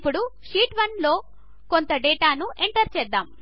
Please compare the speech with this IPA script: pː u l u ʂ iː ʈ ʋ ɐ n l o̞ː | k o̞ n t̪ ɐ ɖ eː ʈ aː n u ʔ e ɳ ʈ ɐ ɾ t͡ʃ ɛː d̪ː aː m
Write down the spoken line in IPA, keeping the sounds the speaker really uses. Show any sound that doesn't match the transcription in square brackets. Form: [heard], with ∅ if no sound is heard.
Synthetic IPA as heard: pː u [ɽ] u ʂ iː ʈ ʋ ɐ n l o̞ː | k o̞ n t̪ ɐ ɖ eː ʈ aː n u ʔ e ɳ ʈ ɐ ɾ t͡ʃ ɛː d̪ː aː m